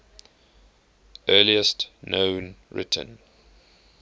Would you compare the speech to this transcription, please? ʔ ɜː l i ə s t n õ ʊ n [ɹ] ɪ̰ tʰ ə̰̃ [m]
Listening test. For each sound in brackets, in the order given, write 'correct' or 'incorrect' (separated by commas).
correct, incorrect